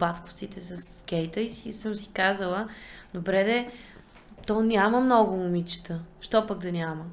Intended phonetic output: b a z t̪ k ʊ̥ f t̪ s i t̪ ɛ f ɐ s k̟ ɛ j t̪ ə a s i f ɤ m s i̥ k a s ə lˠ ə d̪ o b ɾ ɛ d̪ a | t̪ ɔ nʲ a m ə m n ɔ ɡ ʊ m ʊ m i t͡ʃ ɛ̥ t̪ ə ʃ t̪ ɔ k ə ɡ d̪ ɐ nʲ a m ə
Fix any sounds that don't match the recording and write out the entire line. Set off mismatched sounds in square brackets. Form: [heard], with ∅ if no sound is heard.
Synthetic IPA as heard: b a [∅] t̪ k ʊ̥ f t̪ s i t̪ ɛ [s] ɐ s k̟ ɛ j t̪ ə [i] s i [s] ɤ m s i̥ k a [z] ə lˠ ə d̪ o b ɾ ɛ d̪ [ɛ] | t̪ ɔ nʲ a m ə m n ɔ ɡ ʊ m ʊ m i t͡ʃ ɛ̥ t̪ ə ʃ t̪ ɔ [p] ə ɡ d̪ ɐ nʲ a m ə